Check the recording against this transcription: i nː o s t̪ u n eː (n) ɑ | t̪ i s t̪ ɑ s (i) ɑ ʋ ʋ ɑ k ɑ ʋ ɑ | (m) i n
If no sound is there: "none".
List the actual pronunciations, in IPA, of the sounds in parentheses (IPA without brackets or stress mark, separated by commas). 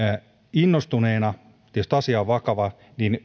n, i, n